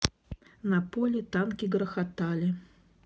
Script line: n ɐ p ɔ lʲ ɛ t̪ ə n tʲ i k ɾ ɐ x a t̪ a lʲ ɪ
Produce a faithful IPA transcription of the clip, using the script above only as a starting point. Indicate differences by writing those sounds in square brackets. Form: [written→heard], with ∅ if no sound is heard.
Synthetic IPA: n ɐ p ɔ lʲ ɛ t̪ [ə→a] n [tʲ→kʲ] i [k→ɡ] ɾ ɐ x a t̪ a lʲ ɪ